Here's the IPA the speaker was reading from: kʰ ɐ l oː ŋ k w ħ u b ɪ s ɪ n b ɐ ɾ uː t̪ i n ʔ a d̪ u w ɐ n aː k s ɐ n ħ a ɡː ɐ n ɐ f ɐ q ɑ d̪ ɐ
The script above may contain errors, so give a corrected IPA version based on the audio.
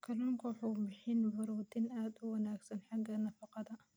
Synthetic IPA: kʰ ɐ l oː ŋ k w ħ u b ɪ ħ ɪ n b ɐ ɾ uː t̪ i n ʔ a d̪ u w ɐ n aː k s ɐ n ħ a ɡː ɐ n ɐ f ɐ q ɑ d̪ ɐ

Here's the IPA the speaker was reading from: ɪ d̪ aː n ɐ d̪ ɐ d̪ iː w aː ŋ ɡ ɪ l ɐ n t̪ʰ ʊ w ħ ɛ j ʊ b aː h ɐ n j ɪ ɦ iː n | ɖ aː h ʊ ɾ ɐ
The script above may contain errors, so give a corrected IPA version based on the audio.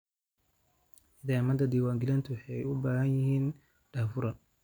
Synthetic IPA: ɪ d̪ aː m ɐ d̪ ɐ d̪ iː w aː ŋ ɡ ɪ l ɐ n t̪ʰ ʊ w ħ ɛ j ʊ b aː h ɐ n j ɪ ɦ iː n | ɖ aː f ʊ ɾ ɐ

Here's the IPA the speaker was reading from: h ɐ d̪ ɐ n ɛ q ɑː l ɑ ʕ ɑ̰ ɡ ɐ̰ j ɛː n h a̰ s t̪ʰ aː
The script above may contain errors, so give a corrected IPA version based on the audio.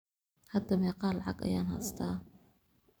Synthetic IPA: h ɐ d̪ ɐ m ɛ q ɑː l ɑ ʕ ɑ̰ ɡ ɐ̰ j aː n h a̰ s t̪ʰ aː

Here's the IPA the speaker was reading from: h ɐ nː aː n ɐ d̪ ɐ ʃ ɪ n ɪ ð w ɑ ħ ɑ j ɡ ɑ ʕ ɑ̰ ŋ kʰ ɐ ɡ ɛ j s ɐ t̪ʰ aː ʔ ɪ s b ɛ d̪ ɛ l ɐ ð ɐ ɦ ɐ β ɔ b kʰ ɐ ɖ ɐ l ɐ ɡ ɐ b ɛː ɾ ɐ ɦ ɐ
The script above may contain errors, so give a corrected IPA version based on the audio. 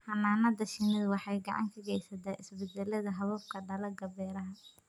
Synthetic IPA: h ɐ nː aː n ɐ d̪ ɐ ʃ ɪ n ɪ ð w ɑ ħ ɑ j ɡ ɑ ʕ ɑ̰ ŋ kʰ ɐ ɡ ɛ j s ɐ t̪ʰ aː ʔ ɪ s b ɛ d̪ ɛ l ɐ ð ɐ ɦ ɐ β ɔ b kʰ ɐ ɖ ɐ l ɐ ɡ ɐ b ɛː ɾ ɐ ɦ ɐ

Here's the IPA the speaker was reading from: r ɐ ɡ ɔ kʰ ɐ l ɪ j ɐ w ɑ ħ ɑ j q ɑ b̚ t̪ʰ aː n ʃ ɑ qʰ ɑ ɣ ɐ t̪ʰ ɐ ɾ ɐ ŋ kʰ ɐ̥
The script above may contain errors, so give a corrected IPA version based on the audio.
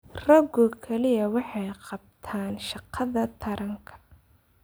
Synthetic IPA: r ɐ ɡ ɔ kʰ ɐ l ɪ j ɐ w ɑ ħ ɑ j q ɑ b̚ t̪ʰ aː n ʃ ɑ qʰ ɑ ð ɐ t̪ʰ ɐ ɾ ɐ ŋ kʰ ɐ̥

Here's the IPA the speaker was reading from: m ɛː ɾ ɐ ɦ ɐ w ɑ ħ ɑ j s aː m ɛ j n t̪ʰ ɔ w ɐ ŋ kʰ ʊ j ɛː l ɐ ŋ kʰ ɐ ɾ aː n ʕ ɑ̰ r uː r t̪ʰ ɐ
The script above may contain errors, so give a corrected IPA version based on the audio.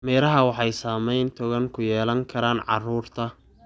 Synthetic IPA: m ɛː ɾ ɐ ɦ ɐ w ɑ ħ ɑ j s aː m ɛ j n t̪ʰ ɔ ɣ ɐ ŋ kʰ ʊ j ɛː l ɐ ŋ kʰ ɐ ɾ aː n ʕ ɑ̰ r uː r t̪ʰ ɐ

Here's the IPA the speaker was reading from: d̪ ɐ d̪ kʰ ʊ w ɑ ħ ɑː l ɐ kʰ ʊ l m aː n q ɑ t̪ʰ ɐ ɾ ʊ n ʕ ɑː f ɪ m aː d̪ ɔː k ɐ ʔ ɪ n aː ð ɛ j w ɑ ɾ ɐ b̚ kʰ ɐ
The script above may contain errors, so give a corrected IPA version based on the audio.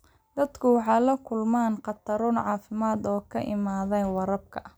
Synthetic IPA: d̪ ɐ d̪ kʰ ʊ w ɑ ħ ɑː l ɐ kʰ ʊ l m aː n q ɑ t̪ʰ ɐ ɾ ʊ n ʕ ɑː f ɪ m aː d̪ ɔː kʰ ɐ ʔ ɪ m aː ð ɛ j w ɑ ɾ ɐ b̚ kʰ ɐ

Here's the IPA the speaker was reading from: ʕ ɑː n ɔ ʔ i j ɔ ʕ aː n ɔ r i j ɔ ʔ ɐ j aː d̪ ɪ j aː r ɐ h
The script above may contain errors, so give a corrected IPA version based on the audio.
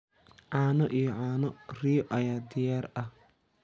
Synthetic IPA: ʕ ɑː n ɔ ʔ i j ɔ ʕ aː n ɔ r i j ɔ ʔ ɐ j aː d̪ ɪ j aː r ɐ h

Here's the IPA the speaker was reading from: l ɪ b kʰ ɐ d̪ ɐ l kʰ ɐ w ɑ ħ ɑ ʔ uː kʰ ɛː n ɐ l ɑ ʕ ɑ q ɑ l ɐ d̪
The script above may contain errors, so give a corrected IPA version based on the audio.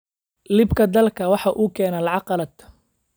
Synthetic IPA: l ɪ b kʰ ɐ d̪ ɐ l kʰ ɐ w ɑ ħ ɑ ʔ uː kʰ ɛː n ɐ l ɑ ʕ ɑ q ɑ l ɐ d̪

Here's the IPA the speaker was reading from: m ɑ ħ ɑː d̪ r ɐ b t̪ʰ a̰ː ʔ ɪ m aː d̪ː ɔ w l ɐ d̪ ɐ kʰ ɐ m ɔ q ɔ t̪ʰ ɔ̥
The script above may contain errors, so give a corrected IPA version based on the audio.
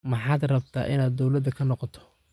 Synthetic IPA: m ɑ ħ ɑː d̪ r ɐ b t̪ʰ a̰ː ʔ ɪ n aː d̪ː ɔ w l ɐ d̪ ɐ kʰ ɐ n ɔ q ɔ t̪ʰ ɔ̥

